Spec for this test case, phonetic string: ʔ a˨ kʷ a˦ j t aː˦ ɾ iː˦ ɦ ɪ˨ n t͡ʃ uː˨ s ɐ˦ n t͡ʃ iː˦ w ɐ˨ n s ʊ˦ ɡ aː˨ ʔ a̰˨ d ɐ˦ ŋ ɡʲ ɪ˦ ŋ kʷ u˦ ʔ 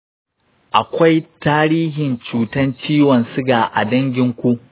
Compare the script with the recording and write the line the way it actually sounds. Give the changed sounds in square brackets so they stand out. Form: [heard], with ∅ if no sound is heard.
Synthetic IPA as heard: ʔ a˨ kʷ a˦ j t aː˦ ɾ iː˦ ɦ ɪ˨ n t͡ʃ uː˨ [t] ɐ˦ n t͡ʃ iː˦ w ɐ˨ n s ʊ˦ ɡ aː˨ ʔ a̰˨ d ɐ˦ ŋ ɡʲ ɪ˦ ŋ kʷ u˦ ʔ